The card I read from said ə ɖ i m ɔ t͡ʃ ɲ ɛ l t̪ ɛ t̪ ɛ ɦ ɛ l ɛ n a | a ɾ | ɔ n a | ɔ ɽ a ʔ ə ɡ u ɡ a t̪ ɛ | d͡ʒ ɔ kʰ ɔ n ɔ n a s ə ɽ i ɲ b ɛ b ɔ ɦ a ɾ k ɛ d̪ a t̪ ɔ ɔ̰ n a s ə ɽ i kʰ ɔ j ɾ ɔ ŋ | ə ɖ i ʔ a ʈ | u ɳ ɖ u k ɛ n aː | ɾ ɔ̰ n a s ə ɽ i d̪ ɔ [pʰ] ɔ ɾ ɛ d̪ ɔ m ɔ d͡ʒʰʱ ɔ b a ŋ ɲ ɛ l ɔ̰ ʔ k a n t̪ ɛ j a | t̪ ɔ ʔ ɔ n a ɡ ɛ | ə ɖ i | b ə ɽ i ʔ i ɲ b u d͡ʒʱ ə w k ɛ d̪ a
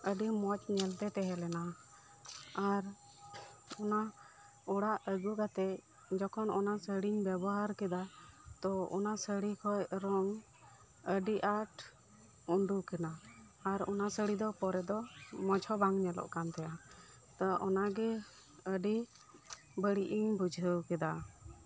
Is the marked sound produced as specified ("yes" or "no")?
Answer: no